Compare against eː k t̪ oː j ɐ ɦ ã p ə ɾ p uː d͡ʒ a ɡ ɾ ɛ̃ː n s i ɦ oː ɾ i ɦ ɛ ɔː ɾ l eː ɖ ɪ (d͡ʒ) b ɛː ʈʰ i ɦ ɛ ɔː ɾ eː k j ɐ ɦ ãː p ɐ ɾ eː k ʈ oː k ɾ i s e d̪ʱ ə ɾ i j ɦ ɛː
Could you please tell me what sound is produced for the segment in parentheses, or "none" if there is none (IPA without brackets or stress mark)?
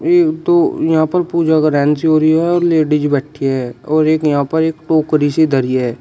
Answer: d͡ʒ